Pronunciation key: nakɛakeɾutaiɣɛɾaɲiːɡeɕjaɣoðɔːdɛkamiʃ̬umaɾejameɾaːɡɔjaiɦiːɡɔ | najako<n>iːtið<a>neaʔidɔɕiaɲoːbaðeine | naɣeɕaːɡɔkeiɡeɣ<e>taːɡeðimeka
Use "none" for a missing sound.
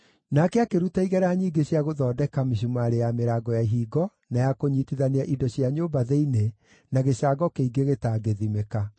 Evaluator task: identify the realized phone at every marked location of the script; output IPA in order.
ɲ, a, e

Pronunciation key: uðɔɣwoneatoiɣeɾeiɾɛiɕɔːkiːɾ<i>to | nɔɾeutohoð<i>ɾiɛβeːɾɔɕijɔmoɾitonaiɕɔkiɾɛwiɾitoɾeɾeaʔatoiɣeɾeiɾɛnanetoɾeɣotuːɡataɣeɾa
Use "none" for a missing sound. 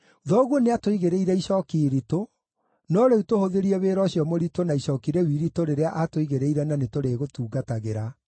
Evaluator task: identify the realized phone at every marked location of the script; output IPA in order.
i, e

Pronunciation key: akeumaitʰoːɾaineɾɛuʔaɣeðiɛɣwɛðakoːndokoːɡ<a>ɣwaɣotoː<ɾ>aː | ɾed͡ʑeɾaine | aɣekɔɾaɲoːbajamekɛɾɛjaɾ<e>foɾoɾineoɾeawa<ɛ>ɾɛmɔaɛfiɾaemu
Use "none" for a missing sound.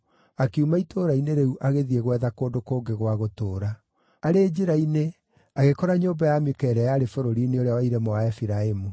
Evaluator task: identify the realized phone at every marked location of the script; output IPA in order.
e, ɾ, e, i

